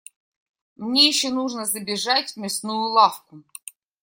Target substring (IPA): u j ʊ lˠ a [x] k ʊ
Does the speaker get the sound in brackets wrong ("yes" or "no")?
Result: yes